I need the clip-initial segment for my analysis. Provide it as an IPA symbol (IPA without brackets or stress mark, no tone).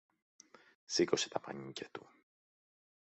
s